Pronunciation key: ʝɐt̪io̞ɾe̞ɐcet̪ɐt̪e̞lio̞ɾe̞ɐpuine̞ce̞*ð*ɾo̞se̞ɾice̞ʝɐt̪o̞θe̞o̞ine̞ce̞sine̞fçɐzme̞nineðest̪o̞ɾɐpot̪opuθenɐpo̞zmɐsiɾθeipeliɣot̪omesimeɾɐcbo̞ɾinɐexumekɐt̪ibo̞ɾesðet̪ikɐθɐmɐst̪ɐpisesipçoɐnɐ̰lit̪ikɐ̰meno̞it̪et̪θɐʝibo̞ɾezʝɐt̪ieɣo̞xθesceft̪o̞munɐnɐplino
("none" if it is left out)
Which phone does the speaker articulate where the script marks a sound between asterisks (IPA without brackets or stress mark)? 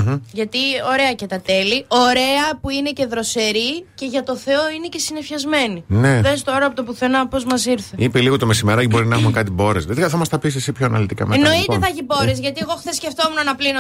ð